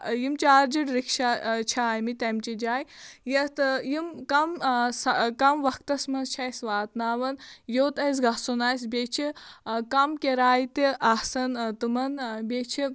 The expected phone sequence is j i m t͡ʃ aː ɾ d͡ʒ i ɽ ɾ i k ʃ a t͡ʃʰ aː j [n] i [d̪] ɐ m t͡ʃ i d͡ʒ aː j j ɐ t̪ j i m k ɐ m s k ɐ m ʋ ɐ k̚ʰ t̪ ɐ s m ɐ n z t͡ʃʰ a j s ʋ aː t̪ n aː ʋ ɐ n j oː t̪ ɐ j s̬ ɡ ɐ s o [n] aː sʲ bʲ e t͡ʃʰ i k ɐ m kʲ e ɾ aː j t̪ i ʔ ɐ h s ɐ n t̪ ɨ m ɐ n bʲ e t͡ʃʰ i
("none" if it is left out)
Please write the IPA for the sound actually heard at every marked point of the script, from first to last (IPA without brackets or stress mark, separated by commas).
m, t̪, n